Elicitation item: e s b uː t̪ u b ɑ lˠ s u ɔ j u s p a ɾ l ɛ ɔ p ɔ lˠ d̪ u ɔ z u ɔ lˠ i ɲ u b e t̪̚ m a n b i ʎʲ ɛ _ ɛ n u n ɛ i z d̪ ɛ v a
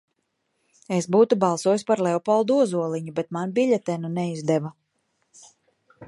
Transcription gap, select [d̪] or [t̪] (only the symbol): t̪